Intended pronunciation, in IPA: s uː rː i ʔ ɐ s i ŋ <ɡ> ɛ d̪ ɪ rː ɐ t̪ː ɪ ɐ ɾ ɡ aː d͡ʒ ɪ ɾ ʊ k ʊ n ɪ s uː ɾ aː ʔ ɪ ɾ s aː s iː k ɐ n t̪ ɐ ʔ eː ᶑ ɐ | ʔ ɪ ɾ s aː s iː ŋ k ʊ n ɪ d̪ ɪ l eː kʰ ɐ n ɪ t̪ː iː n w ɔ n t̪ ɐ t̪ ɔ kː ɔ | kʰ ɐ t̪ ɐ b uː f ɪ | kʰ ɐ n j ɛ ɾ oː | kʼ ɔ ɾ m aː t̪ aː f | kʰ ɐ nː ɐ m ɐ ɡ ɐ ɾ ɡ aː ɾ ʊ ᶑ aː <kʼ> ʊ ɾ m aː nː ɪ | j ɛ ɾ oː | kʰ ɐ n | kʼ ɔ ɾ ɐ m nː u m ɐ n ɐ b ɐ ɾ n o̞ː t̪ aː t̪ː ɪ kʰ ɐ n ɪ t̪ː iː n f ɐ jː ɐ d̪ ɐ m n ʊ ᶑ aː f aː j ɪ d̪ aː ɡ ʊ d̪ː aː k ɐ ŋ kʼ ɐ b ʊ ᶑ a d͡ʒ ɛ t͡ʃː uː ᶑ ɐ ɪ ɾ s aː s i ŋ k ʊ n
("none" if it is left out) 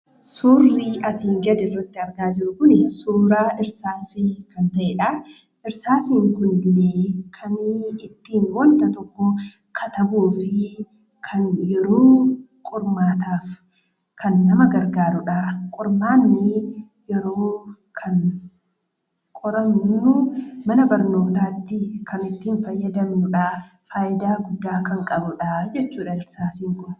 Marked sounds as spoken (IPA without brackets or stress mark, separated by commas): ɡ, kʼ